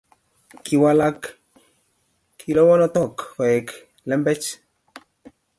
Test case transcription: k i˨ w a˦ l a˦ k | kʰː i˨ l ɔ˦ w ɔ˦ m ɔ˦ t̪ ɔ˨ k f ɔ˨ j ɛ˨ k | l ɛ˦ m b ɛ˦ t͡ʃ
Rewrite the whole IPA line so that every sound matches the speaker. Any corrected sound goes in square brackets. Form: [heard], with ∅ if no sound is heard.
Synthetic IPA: k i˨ w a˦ l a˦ k | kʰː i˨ l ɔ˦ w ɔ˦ [n] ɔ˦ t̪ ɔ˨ k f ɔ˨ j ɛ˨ k | l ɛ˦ m b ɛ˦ t͡ʃ